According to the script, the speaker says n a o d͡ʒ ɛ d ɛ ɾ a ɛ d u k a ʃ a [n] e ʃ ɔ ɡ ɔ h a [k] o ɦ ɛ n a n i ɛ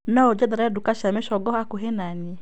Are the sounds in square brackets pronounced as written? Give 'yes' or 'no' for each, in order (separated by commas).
no, yes